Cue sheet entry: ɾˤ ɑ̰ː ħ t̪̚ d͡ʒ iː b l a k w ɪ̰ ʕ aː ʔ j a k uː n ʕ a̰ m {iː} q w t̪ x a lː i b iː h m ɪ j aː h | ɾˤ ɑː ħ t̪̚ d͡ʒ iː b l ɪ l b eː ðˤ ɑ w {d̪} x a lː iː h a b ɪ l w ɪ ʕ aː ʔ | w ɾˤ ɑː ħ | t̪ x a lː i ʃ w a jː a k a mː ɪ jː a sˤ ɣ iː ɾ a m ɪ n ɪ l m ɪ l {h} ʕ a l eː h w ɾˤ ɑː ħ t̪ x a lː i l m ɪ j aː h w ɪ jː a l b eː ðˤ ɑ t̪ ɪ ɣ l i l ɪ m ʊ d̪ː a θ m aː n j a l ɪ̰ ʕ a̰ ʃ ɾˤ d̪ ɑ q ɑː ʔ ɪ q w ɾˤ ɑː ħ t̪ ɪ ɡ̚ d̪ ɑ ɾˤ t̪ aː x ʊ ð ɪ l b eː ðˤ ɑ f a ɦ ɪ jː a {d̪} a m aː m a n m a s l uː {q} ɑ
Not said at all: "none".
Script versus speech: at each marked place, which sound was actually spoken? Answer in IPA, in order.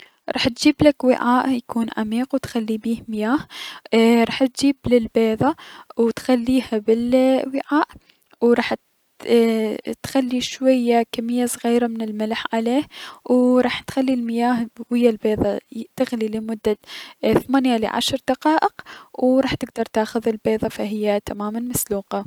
iː, t̪, ħ, t̪, q

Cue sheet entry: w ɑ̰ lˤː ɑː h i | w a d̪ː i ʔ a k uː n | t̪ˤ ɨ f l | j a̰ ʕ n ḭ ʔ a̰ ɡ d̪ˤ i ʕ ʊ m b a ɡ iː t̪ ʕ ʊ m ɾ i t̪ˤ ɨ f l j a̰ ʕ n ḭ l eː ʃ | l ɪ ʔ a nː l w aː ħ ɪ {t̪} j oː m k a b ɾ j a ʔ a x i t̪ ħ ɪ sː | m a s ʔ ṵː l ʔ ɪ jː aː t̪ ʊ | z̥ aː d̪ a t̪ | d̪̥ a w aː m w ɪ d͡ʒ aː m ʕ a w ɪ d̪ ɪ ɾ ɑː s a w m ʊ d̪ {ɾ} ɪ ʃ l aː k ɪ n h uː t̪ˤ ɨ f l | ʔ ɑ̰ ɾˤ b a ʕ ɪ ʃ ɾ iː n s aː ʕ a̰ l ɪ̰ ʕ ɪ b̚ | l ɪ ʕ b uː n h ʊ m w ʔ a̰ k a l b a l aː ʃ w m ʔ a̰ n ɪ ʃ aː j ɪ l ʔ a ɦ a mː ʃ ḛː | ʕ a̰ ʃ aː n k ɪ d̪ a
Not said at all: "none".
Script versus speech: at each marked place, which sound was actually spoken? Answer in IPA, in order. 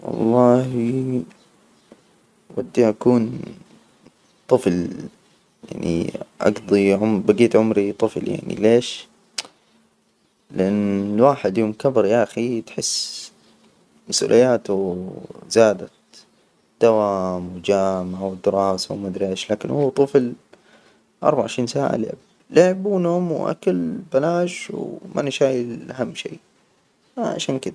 d̪, ɾ

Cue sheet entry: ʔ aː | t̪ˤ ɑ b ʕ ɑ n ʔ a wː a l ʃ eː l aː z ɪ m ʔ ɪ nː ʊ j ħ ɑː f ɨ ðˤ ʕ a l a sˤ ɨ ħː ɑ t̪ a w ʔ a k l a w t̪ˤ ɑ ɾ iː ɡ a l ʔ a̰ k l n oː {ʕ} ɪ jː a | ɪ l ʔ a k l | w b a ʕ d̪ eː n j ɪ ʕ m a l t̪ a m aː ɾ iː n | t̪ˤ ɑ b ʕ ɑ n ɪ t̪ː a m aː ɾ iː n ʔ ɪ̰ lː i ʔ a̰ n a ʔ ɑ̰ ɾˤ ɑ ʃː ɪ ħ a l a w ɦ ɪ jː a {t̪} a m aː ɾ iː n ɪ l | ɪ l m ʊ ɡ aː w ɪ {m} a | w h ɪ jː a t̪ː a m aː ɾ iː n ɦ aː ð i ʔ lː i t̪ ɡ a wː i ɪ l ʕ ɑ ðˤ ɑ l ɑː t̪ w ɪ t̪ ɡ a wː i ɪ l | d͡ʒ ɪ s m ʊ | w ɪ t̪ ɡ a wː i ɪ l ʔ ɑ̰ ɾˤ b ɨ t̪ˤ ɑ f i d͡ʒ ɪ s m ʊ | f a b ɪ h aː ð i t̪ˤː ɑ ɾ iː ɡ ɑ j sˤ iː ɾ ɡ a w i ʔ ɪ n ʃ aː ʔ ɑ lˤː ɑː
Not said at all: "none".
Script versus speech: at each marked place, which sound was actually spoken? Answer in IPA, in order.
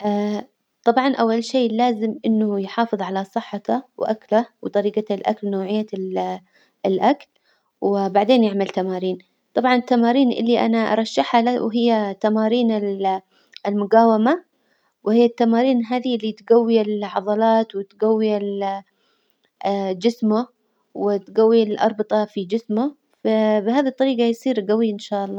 ʕ, t̪, m

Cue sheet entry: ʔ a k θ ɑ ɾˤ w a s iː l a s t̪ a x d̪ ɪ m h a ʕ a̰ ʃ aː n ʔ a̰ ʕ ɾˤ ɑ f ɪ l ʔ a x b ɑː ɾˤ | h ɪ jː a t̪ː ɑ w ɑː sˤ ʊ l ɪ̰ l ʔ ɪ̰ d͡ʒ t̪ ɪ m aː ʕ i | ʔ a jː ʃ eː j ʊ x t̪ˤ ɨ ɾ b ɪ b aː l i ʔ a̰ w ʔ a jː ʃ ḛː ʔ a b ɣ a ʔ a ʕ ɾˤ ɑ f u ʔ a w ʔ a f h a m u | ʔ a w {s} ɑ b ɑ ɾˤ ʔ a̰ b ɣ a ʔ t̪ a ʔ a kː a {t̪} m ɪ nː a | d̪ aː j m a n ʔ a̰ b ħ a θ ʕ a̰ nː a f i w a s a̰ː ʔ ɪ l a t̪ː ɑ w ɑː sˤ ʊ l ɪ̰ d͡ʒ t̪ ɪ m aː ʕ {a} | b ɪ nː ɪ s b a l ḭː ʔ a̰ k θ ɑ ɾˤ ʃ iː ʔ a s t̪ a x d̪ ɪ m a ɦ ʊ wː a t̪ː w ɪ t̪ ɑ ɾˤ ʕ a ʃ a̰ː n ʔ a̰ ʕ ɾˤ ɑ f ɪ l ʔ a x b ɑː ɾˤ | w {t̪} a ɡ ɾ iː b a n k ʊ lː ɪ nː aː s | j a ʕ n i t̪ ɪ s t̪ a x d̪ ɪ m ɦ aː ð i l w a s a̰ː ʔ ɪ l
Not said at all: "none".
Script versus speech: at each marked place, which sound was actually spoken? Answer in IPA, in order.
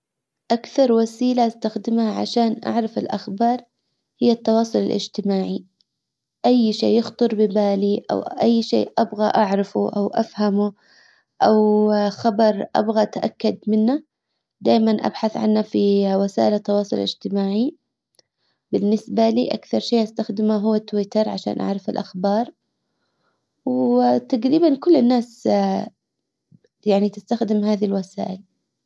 x, d̪, i, t̪

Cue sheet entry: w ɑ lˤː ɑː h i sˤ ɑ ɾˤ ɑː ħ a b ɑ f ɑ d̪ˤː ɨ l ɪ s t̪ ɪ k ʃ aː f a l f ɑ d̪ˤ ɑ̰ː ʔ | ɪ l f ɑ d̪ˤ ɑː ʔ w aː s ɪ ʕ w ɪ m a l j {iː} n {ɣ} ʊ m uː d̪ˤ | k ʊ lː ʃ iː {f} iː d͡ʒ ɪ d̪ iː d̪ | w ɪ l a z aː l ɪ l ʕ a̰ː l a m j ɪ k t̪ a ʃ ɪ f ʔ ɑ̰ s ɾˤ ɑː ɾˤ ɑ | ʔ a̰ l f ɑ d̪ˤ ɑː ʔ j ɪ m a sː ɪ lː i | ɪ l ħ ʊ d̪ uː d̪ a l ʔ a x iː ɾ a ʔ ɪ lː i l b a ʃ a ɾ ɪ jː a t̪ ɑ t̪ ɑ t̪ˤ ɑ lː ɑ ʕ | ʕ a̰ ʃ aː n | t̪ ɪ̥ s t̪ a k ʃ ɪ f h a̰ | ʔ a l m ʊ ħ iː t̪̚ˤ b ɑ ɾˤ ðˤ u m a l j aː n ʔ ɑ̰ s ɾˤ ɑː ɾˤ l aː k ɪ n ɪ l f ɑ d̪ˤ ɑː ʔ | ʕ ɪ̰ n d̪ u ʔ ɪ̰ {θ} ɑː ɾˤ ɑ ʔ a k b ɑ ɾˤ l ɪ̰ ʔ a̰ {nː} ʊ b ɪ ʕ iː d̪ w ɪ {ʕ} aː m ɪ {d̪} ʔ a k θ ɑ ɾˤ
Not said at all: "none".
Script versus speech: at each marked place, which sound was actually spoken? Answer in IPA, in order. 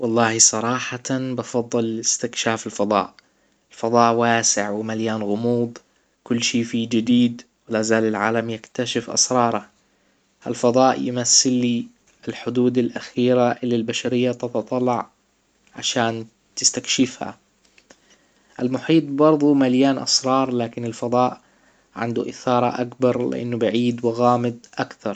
aː, ɣ, f, θ, nː, ɣ, d̪

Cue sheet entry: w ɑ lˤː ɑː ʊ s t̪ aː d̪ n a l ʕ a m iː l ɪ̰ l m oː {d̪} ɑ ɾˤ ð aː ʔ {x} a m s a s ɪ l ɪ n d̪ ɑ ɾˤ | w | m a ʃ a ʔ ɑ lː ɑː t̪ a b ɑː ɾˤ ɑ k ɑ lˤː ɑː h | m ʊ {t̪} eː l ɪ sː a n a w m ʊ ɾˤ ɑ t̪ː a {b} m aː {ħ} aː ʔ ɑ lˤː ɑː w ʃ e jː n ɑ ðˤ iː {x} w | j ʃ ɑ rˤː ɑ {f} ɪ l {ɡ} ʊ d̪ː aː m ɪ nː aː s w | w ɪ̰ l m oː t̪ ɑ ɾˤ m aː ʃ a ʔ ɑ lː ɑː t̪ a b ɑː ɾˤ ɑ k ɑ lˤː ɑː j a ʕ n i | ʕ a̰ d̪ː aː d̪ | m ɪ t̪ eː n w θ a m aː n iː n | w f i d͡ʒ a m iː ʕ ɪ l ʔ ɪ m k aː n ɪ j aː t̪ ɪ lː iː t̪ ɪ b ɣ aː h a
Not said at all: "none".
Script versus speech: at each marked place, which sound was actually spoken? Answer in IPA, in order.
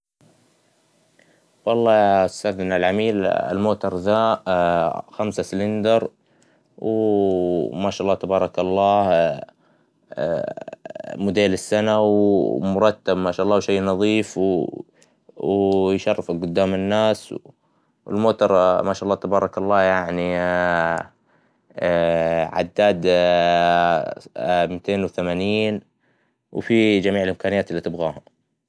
t̪, x, d̪, b, ʃ, f, f, ɡ

